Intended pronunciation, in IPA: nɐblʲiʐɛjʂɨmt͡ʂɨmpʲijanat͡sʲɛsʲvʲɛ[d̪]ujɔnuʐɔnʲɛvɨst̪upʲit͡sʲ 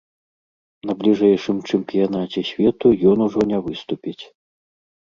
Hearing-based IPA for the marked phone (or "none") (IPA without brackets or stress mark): t̪